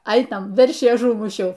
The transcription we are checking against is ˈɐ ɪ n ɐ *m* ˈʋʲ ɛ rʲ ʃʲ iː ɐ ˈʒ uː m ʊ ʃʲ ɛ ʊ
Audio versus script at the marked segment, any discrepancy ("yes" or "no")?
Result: no